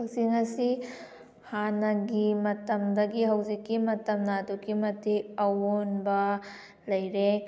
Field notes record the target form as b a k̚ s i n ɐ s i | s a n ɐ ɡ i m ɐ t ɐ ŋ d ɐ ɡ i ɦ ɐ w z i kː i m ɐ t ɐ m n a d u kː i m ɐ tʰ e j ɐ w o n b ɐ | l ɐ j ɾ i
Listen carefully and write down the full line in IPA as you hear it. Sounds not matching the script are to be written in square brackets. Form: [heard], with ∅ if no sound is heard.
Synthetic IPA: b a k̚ s i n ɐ s i | [h] a n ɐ ɡ i m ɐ t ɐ [m] d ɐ ɡ i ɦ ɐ w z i kː i m ɐ t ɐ m n a d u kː i m ɐ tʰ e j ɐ w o n b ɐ | l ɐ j ɾ [e]